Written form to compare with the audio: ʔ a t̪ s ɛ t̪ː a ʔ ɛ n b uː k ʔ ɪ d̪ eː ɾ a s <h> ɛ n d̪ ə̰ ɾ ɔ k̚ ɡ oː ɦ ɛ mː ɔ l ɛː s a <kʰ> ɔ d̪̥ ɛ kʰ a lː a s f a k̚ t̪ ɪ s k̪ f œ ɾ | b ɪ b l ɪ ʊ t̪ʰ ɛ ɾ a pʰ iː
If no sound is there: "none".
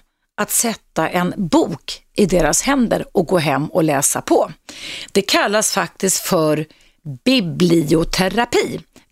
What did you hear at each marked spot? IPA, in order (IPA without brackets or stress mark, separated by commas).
h, pʰ